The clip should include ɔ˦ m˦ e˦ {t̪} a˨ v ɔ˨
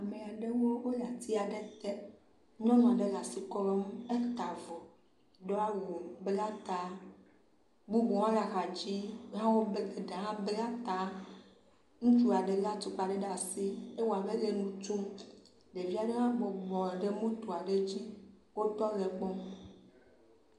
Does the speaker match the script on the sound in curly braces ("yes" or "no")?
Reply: yes